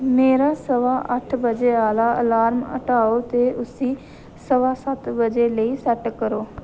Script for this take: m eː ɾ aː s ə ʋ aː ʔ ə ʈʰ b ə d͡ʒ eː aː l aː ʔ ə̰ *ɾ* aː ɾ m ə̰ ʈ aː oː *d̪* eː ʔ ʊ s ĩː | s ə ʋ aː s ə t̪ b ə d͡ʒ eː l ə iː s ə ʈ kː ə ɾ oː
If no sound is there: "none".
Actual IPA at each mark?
l, t̪

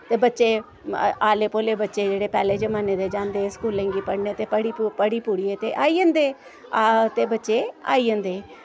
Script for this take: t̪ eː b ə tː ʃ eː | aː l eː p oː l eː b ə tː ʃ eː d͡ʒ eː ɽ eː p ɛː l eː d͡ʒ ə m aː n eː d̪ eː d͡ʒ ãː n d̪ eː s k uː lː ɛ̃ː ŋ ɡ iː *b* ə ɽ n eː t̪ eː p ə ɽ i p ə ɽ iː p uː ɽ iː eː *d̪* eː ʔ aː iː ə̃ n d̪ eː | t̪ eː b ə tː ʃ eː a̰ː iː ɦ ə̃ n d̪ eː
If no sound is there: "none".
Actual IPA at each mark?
p, t̪

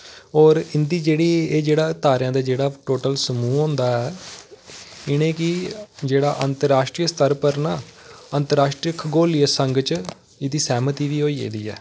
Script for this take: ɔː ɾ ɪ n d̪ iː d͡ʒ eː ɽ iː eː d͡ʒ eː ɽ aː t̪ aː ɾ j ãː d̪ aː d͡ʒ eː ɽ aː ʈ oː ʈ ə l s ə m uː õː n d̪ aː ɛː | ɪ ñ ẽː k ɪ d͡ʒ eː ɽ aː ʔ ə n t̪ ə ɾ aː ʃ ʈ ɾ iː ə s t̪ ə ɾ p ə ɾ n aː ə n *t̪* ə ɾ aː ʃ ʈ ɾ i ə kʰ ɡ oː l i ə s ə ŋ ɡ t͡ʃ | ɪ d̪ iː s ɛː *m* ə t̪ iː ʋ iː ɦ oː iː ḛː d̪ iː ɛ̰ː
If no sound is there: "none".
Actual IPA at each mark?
t̪, m

